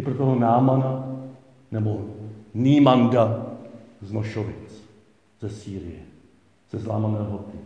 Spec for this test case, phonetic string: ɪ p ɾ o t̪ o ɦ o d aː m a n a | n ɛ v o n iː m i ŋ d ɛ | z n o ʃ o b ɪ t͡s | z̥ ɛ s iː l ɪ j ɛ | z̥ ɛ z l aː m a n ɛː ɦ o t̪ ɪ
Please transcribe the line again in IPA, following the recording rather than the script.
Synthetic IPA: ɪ p ɾ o t̪ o ɦ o n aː m a n a | n ɛ b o n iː m a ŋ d a | z n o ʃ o v ɪ t͡s | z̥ ɛ s iː ɾ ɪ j ɛ | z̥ ɛ z l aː m a n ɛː ɦ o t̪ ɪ